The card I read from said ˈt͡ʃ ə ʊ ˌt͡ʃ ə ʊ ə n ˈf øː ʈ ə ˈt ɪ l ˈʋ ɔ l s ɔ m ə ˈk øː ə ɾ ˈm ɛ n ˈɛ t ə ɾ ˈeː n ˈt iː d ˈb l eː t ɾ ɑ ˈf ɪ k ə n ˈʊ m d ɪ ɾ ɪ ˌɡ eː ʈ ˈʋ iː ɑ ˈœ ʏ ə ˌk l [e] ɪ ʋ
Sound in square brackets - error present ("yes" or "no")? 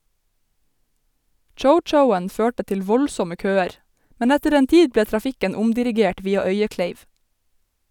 no